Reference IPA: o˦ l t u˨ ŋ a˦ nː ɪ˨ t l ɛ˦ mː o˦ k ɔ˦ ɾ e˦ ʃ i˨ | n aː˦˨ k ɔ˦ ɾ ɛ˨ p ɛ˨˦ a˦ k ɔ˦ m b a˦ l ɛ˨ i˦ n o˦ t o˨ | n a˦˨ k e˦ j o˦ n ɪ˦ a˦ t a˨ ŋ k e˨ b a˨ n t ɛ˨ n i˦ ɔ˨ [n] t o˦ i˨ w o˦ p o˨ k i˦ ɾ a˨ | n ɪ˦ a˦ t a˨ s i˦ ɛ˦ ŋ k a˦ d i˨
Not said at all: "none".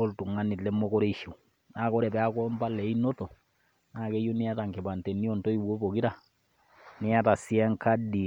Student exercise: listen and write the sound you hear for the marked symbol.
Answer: n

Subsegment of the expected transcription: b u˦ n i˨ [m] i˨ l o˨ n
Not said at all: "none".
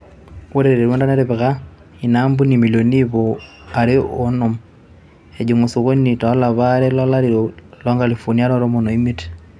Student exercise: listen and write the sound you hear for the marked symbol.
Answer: m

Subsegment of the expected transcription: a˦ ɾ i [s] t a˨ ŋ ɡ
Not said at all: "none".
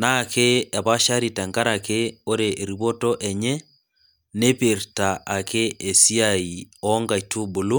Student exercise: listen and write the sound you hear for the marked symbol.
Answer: none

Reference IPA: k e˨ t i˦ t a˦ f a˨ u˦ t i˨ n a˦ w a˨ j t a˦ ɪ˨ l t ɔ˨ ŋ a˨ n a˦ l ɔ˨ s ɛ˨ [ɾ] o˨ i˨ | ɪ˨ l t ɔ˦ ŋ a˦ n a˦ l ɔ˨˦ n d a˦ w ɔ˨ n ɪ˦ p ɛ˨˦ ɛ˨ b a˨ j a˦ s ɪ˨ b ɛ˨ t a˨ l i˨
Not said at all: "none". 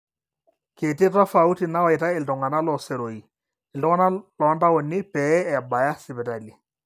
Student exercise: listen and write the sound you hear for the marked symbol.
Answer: ɾ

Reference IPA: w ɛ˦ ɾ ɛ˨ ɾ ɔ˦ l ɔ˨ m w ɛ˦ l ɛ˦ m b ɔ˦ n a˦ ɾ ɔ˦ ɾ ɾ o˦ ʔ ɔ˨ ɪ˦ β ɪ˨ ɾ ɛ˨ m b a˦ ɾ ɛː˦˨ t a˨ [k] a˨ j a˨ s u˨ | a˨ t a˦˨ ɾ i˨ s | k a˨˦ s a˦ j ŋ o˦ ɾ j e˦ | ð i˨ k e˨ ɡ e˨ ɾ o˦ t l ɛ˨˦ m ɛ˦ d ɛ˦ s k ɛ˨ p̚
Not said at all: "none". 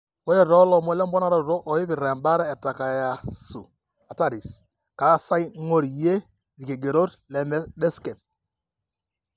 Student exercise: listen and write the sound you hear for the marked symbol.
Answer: k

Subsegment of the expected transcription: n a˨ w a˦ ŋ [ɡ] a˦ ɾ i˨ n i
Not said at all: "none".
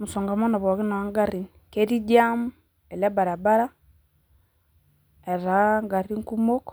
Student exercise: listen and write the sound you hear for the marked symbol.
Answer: ɡ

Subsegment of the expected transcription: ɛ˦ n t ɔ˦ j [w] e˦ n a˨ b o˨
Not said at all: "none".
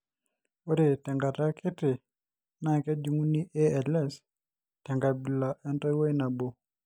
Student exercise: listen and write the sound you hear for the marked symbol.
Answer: w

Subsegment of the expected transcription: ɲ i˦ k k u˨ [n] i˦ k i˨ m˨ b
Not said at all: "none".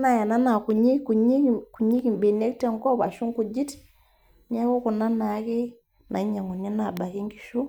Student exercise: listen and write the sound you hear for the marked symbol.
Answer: ɲ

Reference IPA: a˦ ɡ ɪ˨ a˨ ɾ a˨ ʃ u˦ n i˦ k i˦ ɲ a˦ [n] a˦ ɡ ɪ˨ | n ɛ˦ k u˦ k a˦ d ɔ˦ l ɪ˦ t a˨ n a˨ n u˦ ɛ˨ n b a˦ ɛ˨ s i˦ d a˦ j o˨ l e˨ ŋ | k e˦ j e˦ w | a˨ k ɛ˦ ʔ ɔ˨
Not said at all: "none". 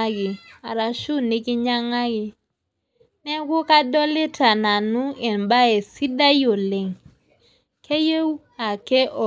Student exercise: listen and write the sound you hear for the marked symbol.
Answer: ŋ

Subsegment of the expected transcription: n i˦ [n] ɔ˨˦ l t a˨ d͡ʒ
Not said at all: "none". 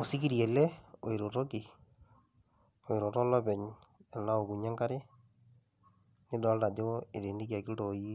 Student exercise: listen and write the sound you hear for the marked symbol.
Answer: d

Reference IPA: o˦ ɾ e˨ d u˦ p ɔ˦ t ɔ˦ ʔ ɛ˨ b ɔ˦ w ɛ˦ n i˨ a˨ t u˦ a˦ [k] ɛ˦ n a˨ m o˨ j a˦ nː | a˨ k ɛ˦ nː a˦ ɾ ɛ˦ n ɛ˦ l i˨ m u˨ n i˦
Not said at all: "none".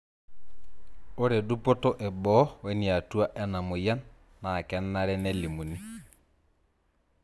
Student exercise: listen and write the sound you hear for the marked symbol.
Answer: ʔ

